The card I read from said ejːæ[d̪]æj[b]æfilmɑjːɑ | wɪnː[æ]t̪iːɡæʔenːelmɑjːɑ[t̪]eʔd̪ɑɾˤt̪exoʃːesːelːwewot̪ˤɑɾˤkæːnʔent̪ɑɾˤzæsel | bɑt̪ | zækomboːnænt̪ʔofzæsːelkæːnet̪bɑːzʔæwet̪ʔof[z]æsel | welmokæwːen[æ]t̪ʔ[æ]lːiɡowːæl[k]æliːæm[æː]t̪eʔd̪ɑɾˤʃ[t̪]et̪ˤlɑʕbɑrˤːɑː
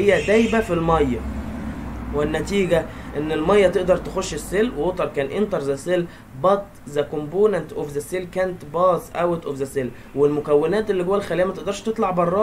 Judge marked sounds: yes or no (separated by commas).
yes, yes, yes, yes, yes, no, no, no, no, yes